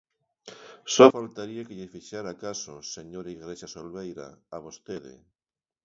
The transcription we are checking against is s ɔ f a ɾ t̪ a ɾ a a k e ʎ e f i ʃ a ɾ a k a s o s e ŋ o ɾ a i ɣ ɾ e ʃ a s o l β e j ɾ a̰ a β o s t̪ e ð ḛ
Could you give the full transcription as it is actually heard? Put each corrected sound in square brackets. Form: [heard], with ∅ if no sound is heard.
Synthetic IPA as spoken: s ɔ f a [l] t̪ a ɾ [i] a k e ʎ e f i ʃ a ɾ a k a s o s e [ɲ] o ɾ a i ɣ ɾ e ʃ a s o l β e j ɾ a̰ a β o s t̪ e ð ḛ